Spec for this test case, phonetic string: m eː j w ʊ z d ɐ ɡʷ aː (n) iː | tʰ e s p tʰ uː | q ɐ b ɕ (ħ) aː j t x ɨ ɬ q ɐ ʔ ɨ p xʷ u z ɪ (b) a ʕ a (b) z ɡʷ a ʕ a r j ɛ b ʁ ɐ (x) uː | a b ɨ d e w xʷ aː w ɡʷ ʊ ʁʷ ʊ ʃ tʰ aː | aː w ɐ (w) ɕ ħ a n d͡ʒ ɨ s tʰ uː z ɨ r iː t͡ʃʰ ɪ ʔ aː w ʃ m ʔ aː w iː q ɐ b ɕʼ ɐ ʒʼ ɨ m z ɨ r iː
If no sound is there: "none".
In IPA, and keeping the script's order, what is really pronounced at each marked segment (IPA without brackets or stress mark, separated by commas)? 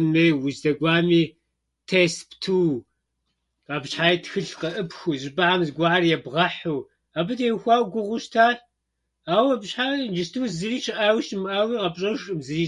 m, ħ, b, m, ħ, b